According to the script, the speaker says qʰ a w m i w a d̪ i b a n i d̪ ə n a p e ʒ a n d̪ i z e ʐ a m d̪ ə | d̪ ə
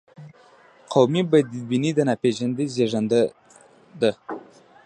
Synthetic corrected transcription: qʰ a w m i b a d̪ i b i n i d̪ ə n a p e ʒ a n d̪ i z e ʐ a n d̪ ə | d̪ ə